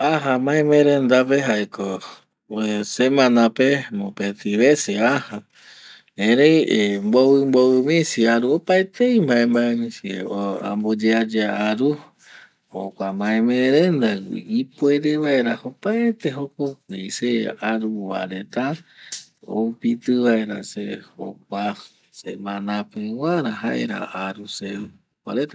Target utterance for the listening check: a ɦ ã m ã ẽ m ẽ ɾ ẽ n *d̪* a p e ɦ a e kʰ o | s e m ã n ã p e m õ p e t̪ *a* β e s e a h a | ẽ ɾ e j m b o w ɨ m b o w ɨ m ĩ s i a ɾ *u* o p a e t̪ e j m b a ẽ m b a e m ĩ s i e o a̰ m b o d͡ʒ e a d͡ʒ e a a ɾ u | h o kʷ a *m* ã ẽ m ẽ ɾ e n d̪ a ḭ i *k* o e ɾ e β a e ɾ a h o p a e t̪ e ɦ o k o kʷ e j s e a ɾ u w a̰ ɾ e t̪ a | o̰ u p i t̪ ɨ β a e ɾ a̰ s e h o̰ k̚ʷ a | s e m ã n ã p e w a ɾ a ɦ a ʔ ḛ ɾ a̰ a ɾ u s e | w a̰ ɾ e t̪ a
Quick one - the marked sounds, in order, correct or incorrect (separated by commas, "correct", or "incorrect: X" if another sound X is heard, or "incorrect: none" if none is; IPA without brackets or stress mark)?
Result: correct, incorrect: i, correct, correct, incorrect: p